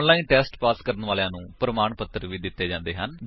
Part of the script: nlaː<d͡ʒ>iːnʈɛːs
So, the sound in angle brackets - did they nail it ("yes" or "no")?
no